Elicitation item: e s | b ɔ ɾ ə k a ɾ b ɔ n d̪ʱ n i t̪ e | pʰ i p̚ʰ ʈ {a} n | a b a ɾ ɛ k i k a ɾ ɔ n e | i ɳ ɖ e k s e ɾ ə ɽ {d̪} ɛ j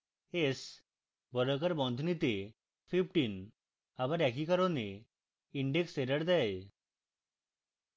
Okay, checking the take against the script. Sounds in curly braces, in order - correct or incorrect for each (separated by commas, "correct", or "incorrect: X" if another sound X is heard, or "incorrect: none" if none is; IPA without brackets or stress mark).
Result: incorrect: i, correct